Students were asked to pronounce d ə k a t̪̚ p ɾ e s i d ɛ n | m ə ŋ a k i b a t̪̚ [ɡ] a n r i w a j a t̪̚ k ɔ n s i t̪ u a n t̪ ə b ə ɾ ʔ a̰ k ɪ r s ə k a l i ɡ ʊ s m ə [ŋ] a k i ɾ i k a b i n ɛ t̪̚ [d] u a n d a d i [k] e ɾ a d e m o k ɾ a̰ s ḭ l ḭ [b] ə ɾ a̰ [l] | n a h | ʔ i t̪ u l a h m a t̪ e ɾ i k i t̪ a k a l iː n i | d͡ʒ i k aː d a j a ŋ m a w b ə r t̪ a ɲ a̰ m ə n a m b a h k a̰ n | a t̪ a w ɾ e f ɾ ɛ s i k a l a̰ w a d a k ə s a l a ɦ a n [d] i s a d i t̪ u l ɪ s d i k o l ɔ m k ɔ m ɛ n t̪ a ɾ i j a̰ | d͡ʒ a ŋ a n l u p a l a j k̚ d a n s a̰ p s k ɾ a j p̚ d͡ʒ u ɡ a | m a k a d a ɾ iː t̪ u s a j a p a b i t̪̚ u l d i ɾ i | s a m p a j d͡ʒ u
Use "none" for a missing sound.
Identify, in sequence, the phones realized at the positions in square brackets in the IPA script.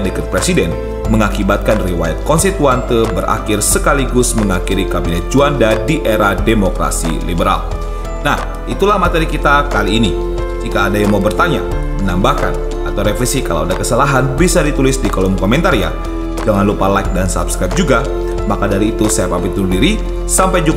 k, ŋ, d͡ʒ, ʔ, b, l, b

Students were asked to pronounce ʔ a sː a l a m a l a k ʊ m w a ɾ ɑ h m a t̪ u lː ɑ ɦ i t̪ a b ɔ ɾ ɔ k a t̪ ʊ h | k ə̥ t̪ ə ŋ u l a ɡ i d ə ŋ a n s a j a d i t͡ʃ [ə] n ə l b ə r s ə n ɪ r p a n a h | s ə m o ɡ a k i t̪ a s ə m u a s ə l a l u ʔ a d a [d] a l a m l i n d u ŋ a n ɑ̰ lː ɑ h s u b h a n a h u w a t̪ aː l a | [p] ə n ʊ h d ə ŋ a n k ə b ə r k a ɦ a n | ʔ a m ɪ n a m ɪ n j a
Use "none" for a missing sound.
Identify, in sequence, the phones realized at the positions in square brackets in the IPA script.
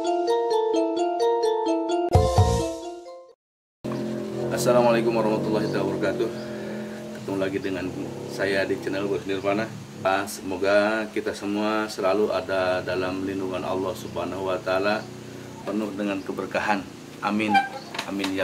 ə, d, p

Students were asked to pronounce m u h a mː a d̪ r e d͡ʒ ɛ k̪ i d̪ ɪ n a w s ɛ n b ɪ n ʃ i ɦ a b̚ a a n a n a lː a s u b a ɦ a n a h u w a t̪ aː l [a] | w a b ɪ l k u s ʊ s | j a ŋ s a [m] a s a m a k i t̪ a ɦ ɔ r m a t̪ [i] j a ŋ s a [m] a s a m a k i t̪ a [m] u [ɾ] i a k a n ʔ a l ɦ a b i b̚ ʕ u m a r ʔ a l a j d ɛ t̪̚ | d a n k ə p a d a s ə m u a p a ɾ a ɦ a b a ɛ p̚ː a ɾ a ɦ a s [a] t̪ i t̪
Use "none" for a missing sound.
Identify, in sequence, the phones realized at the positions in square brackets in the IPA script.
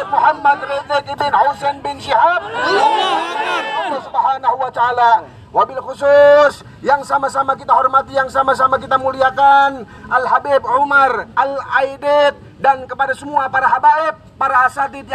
a, m, i, m, m, l, a

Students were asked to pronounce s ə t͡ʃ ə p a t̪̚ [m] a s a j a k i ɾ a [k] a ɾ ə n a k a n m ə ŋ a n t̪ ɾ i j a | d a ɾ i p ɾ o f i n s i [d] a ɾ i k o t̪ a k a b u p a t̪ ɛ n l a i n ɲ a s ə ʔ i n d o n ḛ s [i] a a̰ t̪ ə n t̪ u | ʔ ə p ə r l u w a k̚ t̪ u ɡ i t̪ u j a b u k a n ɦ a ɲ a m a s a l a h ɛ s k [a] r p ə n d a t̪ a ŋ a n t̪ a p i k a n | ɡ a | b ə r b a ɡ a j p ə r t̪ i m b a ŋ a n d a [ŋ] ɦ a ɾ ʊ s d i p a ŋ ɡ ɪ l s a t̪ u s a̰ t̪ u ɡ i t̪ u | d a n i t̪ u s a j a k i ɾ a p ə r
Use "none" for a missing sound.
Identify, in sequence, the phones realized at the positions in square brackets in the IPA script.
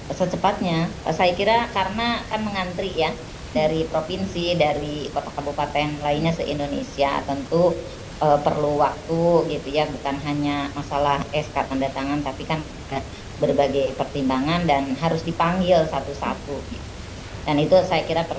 ɲ, k, d, i, a, n

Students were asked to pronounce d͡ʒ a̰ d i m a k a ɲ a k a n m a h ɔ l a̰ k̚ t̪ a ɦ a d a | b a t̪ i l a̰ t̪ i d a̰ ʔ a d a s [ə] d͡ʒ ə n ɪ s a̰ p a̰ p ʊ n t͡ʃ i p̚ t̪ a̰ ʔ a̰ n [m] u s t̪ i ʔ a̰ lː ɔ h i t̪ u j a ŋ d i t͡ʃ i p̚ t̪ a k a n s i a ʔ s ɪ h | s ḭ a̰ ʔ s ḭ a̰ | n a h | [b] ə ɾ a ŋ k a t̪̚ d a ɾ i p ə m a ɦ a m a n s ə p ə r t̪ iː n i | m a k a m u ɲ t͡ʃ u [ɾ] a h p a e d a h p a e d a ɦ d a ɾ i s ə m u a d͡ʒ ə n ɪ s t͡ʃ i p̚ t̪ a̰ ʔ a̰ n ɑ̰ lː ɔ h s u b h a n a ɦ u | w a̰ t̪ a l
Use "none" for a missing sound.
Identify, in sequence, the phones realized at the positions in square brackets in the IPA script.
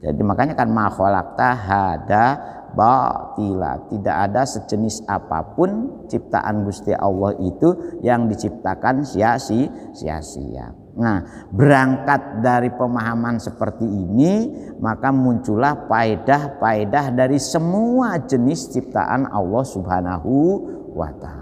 ə, b, b, l

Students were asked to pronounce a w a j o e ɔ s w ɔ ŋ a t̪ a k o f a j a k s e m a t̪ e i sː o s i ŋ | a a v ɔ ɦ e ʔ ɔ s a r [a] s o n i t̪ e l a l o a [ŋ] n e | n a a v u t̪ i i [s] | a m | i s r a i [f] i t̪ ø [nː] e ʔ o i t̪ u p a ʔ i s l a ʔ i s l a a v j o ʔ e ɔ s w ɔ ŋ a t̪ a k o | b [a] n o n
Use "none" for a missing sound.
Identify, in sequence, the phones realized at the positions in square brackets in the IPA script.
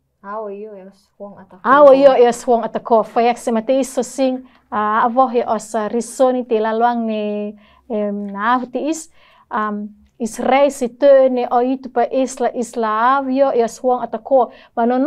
i, ŋ, s, s, n, a

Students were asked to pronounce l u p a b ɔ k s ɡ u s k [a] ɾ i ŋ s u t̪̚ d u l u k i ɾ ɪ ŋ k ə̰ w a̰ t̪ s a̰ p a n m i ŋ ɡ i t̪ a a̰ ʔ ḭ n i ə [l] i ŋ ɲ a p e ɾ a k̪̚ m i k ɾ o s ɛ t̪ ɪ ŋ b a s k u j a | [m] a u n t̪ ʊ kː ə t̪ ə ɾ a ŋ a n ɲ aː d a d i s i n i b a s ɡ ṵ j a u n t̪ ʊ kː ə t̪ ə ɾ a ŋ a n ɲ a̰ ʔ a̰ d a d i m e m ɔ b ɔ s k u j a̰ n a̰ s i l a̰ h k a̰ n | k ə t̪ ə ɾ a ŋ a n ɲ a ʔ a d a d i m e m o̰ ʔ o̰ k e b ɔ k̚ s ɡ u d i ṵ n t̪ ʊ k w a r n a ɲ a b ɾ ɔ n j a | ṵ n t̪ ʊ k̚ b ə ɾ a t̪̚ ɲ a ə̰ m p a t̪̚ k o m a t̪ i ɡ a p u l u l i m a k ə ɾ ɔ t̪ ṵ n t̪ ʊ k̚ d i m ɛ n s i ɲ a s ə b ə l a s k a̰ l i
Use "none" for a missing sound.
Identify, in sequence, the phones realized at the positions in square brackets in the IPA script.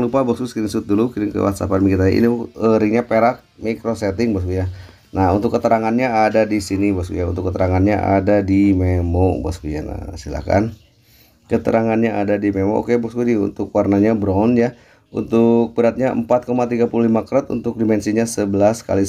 i, ɾ, n

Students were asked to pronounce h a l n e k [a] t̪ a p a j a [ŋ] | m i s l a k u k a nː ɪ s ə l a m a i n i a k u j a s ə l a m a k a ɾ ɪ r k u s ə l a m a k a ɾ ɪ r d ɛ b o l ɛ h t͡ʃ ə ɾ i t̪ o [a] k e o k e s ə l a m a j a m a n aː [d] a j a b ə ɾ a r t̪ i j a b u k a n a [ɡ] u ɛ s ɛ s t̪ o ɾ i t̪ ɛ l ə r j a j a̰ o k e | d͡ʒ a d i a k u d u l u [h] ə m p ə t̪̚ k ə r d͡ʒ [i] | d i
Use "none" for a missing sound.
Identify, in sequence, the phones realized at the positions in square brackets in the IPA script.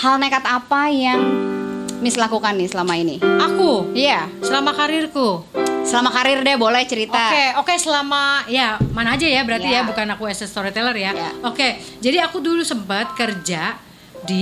a, ŋ, a, d͡ʒ, k, s, a

